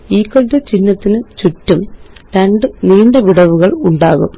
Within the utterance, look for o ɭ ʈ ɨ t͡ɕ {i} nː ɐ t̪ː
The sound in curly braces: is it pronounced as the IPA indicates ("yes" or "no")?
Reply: yes